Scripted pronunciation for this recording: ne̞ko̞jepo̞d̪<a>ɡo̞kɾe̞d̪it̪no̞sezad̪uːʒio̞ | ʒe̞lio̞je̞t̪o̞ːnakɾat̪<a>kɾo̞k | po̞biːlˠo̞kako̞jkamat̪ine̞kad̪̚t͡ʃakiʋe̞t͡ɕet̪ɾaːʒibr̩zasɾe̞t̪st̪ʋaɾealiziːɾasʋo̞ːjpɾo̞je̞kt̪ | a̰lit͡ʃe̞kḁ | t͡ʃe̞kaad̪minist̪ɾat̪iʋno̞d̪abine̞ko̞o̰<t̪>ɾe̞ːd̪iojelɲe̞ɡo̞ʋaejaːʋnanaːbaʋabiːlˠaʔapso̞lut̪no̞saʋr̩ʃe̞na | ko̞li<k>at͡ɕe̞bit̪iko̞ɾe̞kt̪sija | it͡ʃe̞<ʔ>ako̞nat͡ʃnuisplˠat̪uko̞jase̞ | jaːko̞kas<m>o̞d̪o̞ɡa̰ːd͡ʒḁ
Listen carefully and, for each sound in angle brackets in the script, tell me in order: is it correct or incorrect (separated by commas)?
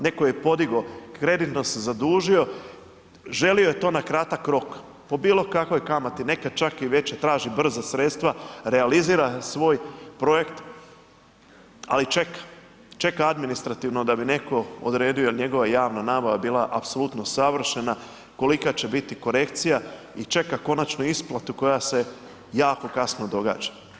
incorrect, correct, incorrect, correct, incorrect, incorrect